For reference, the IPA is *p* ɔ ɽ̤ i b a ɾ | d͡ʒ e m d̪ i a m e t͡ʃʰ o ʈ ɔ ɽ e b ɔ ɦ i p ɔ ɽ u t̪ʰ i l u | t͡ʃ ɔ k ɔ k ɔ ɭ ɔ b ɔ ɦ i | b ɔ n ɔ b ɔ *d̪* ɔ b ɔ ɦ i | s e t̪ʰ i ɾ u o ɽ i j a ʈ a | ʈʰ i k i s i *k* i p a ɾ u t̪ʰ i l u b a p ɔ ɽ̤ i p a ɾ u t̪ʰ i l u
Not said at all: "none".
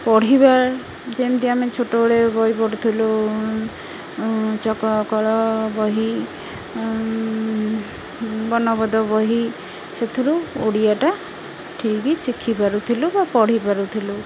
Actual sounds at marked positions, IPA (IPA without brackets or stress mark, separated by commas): p, d̪, kʰ